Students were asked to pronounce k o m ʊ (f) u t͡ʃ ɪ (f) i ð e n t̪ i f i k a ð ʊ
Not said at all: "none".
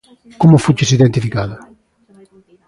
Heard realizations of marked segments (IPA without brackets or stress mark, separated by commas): f, s